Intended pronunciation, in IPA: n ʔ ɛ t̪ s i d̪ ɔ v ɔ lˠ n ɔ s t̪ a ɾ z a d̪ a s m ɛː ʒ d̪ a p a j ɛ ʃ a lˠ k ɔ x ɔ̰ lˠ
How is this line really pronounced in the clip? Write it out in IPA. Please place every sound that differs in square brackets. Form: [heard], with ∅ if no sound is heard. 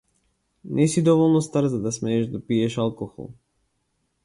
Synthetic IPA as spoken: n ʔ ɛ [∅] s i d̪ ɔ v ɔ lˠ n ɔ s t̪ a ɾ z a d̪ a s m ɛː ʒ d̪ a p [i] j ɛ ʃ a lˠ k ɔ x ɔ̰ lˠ